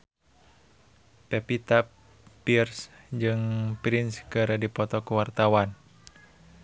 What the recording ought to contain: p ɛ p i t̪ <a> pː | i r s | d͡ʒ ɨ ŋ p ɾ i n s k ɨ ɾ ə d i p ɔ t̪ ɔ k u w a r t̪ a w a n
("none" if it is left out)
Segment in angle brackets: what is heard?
a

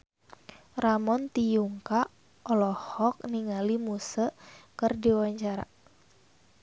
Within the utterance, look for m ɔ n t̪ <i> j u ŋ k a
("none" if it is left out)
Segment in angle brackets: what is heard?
i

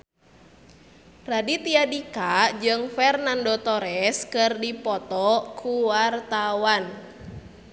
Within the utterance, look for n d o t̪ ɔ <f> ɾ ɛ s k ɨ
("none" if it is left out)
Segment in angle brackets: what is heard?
none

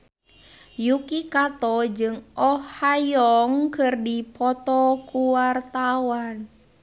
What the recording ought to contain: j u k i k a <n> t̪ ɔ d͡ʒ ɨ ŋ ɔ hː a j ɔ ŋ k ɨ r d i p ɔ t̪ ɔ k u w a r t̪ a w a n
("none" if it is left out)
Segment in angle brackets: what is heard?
none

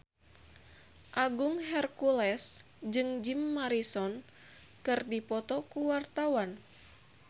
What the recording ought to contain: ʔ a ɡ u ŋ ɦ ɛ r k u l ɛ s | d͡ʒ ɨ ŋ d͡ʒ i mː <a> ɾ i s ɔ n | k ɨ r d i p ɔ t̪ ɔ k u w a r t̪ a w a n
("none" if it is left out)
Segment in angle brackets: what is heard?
a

